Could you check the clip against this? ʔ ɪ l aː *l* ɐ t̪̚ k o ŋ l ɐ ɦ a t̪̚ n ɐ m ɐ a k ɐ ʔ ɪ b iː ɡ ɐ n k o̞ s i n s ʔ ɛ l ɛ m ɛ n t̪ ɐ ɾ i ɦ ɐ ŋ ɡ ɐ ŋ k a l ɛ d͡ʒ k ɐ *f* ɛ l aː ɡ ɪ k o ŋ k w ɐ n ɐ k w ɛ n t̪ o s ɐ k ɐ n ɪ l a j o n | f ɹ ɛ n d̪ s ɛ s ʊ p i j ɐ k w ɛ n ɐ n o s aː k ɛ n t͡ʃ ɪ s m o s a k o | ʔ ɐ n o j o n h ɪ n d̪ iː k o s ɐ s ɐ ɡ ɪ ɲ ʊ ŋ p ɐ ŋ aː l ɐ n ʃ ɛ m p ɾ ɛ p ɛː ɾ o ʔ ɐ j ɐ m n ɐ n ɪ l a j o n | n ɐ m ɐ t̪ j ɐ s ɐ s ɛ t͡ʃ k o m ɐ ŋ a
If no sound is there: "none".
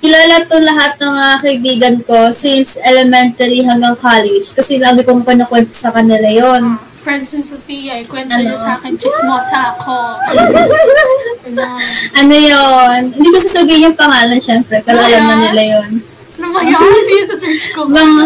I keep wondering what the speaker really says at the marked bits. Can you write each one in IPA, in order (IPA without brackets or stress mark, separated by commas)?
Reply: l, s